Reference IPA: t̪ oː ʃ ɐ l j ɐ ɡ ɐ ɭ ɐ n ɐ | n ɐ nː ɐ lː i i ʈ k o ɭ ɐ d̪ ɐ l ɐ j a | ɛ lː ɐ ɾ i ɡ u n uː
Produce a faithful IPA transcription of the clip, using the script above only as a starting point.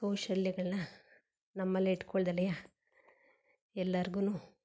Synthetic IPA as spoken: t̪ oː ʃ ɐ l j ɐ ɡ ɐ ɭ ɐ n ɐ | n ɐ mː ɐ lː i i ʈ k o ɭ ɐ d̪ ɐ l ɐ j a | ɛ lː ɐ ɾ i ɡ u n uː

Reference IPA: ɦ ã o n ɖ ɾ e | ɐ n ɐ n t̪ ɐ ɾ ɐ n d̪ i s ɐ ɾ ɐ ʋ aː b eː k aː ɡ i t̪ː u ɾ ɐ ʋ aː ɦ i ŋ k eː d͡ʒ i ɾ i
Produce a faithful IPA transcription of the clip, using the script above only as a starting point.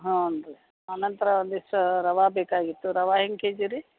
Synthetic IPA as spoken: ɦ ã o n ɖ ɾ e | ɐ n ɐ n t̪ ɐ ɾ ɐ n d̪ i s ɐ ɾ ɐ ʋ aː b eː k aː ɡ i t̪ː u ɾ ɐ ʋ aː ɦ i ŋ k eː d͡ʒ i ɾ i

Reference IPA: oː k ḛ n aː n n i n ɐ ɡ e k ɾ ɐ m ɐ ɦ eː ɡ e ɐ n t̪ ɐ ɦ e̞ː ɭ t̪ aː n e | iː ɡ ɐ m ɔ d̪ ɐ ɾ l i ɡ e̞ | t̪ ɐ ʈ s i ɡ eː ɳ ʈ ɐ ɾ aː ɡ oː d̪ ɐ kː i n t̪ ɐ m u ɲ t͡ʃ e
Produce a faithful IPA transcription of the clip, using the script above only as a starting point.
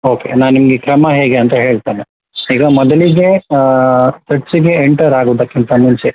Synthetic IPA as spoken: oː k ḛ n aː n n i m ɐ ɡ e k ɾ ɐ m ɐ ɦ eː ɡ e ɐ n t̪ ɐ ɦ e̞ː ɭ t̪ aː n e | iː ɡ ɐ m ɔ d̪ ɐ l i ɡ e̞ | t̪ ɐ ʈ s i ɡ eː ɳ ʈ ɐ ɾ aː ɡ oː d̪ ɐ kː i n t̪ ɐ m u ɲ t͡ʃ e

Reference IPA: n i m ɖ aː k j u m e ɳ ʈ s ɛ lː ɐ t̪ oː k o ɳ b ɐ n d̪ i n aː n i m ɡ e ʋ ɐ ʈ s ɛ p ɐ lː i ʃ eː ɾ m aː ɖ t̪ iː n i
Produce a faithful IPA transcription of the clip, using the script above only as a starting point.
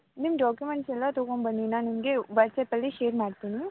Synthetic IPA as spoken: n i m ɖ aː k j u m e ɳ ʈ s ɛ lː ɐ t̪ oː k o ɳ b ɐ n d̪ i n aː n i m ɡ e ʋ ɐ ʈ s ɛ p ɐ lː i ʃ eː ɾ m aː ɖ t̪ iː n i

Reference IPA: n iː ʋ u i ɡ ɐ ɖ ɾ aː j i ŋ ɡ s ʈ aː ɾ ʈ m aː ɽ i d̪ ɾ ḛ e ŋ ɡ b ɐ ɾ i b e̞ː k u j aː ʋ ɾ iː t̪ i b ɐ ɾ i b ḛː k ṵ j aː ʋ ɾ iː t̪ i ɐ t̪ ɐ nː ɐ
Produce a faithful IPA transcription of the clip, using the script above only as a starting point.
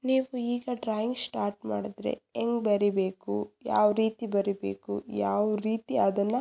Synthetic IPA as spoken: n iː ʋ u iː ɡ ɐ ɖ ɾ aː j i ŋ ɡ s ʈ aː ɾ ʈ m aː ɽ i d̪ ɾ ḛ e ŋ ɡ b ɐ ɾ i b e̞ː k u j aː ʋ ɾ iː t̪ i b ɐ ɾ i b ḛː k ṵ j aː ʋ ɾ iː t̪ i ɐ d̪ ɐ nː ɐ

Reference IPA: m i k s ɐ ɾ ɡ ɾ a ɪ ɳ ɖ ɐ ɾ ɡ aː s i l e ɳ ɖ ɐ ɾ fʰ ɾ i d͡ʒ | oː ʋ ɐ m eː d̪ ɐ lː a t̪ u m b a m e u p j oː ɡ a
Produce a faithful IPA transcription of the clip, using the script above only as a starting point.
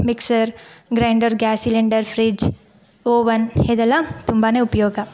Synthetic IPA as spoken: m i k s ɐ ɾ ɡ ɾ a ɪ ɳ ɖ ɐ ɾ ɡ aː s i l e ɳ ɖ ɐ ɾ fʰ ɾ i d͡ʒ | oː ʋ ɐ n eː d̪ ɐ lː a t̪ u m b a n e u p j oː ɡ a

